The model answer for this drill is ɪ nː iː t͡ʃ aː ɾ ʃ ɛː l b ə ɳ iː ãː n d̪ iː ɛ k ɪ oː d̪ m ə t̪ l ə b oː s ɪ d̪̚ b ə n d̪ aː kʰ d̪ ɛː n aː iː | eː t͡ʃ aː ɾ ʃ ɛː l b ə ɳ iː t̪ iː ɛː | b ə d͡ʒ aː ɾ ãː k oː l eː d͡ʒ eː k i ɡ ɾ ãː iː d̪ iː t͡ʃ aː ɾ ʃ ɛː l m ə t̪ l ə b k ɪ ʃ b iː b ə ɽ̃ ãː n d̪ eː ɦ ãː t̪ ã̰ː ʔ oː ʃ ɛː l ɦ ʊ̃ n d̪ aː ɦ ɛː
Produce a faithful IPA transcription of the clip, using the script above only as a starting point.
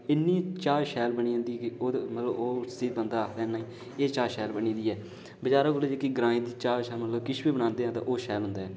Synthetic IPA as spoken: ɪ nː iː t͡ʃ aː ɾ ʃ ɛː l b ə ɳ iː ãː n d̪ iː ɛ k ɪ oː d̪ m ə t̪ l ə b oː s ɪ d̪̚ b ə n d̪ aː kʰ d̪ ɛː n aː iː | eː t͡ʃ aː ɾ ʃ ɛː l b ə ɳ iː d̪ iː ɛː | b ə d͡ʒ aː ɾ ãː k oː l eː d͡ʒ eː k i ɡ ɾ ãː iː d̪ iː t͡ʃ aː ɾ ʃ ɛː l m ə t̪ l ə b k ɪ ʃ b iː b ə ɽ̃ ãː n d̪ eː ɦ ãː t̪ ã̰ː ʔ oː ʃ ɛː l ɦ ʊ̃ n d̪ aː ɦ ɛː